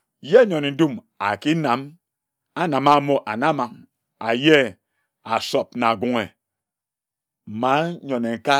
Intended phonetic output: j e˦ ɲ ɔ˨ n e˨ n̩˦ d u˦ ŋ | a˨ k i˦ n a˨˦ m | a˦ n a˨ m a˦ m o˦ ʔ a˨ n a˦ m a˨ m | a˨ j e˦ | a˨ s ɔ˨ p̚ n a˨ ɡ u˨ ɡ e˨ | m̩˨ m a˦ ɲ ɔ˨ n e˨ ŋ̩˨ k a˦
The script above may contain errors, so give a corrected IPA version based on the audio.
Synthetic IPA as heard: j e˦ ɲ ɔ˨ n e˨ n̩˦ d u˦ m | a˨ k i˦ n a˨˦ m | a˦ n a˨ m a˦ m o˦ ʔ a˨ n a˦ m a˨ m | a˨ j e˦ | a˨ s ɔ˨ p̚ n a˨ ɡ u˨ ŋ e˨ | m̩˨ m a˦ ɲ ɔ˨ n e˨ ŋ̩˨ k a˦